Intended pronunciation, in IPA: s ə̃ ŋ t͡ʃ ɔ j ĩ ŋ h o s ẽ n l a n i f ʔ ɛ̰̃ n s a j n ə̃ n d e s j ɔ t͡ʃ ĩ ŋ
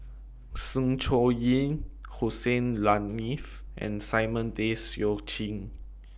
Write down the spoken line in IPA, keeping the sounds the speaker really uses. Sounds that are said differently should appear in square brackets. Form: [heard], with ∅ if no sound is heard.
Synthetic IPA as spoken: s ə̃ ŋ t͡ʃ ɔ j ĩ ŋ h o s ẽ n l a n i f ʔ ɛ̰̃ n s a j [m] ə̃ n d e s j ɔ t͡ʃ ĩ ŋ